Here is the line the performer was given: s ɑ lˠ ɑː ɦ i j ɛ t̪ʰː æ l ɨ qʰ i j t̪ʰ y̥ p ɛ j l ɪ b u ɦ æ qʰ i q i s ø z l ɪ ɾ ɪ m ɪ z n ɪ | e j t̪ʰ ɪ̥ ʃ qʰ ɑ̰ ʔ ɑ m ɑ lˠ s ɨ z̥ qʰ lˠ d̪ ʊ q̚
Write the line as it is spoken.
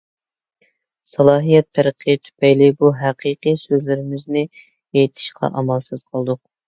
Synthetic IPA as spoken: s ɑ lˠ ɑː ɦ i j ɛ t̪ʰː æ ɾ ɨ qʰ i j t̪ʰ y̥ p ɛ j l ɪ b u ɦ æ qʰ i q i s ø z l ɪ ɾ ɪ m ɪ z n ɪ | e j t̪ʰ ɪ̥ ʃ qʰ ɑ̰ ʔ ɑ m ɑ lˠ s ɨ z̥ qʰ lˠ d̪ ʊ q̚

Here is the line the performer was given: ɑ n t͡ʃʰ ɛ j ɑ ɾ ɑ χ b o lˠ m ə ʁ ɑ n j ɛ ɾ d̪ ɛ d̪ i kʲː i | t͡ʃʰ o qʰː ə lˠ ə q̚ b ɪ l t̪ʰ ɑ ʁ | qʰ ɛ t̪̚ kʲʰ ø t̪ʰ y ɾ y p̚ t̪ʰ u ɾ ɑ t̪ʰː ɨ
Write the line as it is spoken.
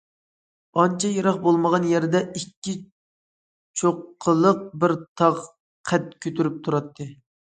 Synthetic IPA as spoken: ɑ n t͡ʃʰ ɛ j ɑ ɾ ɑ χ b o lˠ m ə ʁ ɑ n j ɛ ɾ d̪ ɛ i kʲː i | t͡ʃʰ o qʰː ə lˠ ə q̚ b ɪ ɾ t̪ʰ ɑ ʁ | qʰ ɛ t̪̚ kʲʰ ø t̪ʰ y ɾ y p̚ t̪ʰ u ɾ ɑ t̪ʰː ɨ

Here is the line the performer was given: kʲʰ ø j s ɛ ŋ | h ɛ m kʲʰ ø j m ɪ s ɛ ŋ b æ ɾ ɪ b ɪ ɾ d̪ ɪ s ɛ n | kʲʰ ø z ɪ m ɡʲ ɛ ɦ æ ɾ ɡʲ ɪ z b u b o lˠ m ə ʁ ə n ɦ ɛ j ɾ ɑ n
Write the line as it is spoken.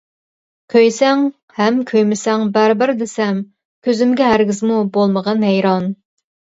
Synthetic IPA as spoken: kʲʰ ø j s ɛ ŋ | h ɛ m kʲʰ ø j m ɪ s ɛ ŋ b æ ɾ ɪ b ɪ ɾ d̪ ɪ s ɛ m | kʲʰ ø z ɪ m ɡʲ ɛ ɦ æ ɾ ɡʲ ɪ z m u b o lˠ m ə ʁ ɑ n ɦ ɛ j ɾ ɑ n

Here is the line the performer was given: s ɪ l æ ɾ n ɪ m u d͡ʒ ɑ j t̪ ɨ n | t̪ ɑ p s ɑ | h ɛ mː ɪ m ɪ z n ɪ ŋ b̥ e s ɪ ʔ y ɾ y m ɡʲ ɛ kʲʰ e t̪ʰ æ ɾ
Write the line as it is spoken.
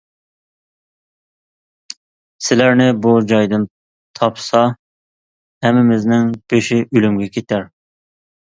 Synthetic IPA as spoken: s ɪ l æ ɾ n ɪ b u d͡ʒ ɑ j d̪ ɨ n | t̪ʰ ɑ p s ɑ | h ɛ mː ɪ m ɪ z n ɪ ŋ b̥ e ʃ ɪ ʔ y l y m ɡʲ ɛ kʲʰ e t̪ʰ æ ɾ

